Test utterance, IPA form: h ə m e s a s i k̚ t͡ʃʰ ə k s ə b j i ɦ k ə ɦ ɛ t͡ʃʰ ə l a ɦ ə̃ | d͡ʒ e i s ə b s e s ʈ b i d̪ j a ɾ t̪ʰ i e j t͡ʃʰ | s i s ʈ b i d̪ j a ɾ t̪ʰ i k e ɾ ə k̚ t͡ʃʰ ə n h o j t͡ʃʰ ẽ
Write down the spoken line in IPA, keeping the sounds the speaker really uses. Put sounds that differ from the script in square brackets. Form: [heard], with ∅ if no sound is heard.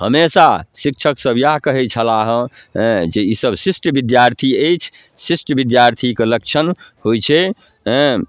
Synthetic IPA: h ə m e s a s i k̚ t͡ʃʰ ə k s ə b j [a] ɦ k ə ɦ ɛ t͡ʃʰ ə l a ɦ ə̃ | d͡ʒ e i s ə b s [i] s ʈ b i d̪ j a ɾ t̪ʰ i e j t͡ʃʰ | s i s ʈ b i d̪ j a ɾ t̪ʰ i k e [l] ə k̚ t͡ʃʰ ə n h o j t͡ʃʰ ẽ